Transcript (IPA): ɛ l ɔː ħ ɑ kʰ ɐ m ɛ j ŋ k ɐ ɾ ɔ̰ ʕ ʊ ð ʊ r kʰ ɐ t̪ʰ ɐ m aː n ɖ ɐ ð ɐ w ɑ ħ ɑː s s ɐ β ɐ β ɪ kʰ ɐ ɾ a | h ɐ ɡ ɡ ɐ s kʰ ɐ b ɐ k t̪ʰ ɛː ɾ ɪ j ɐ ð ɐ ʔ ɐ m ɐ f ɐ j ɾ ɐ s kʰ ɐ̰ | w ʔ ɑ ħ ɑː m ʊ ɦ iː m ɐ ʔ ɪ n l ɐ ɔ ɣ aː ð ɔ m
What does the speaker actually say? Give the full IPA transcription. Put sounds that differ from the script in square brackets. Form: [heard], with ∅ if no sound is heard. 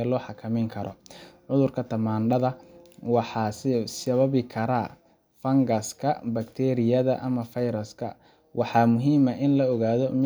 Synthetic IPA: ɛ l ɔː ħ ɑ kʰ ɐ m ɛ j ŋ [kʰ] ɐ ɾ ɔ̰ ʕ ʊ ð ʊ r kʰ ɐ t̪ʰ ɐ m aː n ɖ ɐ ð ɐ w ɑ ħ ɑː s s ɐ β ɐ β ɪ kʰ ɐ ɾ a | [f] ɐ [ŋ] ɡ ɐ s kʰ ɐ b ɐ k t̪ʰ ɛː ɾ ɪ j ɐ ð ɐ ʔ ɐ m ɐ f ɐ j ɾ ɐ s kʰ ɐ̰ | w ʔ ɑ ħ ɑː m ʊ ɦ iː m ɐ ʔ ɪ n l ɐ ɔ ɣ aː ð ɔ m